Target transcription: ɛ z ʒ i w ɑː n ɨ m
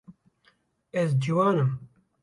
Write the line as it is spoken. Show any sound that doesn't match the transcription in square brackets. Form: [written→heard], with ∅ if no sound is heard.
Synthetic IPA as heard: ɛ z [ʒ→d͡ʒ] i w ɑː n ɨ m